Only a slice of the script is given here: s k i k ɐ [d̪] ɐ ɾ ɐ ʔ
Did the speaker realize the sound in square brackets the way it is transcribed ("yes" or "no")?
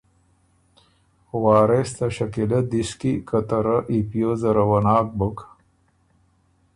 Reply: no